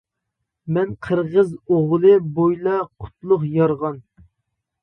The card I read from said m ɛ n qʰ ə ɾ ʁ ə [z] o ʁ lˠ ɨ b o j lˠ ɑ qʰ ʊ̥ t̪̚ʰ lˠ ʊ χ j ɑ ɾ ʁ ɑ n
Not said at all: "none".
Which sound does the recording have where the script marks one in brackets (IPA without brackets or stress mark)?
z